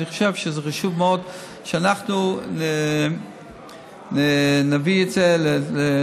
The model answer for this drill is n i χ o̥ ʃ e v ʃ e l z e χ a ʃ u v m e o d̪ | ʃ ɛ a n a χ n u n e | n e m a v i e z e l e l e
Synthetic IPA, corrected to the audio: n i χ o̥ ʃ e v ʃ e z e χ a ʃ u v m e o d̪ | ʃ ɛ a n a χ n u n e | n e n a v i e z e l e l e